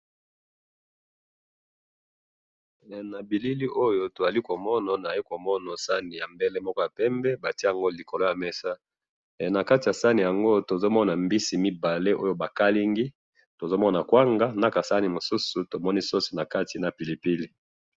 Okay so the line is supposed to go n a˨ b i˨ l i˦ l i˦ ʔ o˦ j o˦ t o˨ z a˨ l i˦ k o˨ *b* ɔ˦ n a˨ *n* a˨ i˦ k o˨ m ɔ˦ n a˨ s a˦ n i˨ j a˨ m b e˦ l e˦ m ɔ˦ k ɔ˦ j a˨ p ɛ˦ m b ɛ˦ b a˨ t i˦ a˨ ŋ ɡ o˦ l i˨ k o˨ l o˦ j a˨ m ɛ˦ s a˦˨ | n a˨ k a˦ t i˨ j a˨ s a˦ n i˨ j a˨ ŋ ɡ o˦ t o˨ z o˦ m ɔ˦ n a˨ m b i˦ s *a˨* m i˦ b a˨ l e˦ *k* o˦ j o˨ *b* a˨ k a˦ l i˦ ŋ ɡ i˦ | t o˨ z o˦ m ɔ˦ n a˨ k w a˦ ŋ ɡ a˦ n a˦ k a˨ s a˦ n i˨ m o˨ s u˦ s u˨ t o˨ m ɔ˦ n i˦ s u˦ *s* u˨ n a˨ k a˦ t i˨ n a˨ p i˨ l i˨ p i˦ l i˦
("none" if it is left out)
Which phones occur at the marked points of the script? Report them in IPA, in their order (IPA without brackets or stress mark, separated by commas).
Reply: m, n, i˨, ʔ, b, s